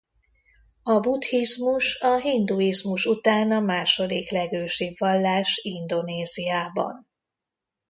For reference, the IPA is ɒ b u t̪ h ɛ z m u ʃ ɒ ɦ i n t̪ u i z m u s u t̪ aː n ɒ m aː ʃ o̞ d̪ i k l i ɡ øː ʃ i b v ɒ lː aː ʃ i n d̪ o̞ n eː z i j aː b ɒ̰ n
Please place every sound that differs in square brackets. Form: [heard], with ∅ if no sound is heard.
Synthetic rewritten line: ɒ b u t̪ h [i] z m u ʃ ɒ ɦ i n [d̪] u i z m u [ʃ] u t̪ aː n ɒ m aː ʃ o̞ d̪ i k l [ɛ] ɡ øː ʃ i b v ɒ lː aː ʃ i n d̪ o̞ n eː z i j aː b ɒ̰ n

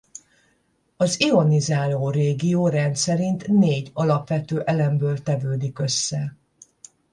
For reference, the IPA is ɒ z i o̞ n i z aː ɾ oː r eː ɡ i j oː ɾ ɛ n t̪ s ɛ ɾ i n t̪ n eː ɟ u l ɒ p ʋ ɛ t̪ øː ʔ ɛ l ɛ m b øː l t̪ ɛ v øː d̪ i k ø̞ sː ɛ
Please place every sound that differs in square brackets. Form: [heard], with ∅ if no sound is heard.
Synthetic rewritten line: ɒ z i o̞ n i z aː [l] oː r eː ɡ i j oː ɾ ɛ n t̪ s ɛ ɾ i n t̪ n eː ɟ [ɒ] l ɒ p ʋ ɛ t̪ øː ʔ ɛ l ɛ m b øː l t̪ ɛ v øː d̪ i k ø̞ sː ɛ

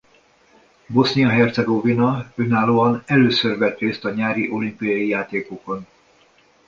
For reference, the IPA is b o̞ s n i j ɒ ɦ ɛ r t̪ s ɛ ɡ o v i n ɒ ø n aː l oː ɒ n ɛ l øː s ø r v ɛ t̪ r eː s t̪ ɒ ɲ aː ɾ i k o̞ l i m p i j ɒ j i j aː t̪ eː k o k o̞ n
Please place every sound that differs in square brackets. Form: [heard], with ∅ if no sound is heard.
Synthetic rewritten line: b o̞ s n i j ɒ ɦ ɛ r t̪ s ɛ ɡ o v i n ɒ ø n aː l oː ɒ n ɛ l øː s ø r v ɛ t̪ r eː s t̪ ɒ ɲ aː ɾ i [ʔ] o̞ l i m p i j ɒ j i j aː t̪ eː k o k o̞ n

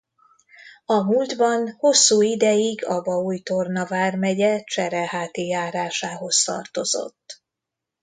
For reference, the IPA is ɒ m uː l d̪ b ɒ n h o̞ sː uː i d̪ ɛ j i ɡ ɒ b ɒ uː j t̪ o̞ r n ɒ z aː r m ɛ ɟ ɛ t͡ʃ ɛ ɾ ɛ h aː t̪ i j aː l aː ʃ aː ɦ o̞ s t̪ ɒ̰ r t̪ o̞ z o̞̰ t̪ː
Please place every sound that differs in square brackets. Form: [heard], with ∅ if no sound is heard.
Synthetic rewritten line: ɒ m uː l d̪ b ɒ n h o̞ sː uː i d̪ ɛ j i ɡ ɒ b ɒ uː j t̪ o̞ r n ɒ [v] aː r m ɛ ɟ ɛ t͡ʃ ɛ ɾ ɛ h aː t̪ i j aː [ɾ] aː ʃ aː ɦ o̞ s t̪ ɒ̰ r t̪ o̞ z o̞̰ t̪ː

